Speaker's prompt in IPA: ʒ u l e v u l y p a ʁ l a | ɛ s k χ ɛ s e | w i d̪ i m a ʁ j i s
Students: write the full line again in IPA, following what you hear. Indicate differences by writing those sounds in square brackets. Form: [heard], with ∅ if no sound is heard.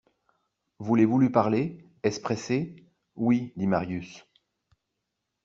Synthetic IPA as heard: [v] u l e v u l y p a ʁ l [e] | ɛ s [p] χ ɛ s e | w i d̪ i m a ʁ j [y] s